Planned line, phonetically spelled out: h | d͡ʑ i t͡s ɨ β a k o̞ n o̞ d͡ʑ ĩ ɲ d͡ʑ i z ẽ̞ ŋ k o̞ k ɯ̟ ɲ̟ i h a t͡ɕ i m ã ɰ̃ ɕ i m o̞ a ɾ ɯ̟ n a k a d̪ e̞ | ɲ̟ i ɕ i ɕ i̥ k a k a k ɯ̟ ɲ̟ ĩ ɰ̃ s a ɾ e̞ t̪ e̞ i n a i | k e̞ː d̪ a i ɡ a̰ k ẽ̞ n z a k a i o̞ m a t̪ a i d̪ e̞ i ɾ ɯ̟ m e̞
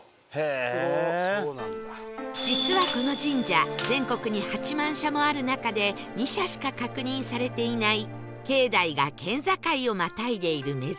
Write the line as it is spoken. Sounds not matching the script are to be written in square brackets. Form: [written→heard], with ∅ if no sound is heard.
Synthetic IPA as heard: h | d͡ʑ i t͡s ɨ β a k o̞ n o̞ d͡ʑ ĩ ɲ d͡ʑ [i→a] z ẽ̞ ŋ k o̞ k ɯ̟ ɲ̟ i h a t͡ɕ i m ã ɰ̃ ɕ [i→a] m o̞ a ɾ ɯ̟ n a k a d̪ e̞ | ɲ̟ i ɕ [i→a] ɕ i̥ k a k a k ɯ̟ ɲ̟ ĩ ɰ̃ s a ɾ e̞ t̪ e̞ i n a i | k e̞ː d̪ a i ɡ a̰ k ẽ̞ n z a k a i o̞ m a t̪ a i d̪ e̞ i ɾ ɯ̟ m e̞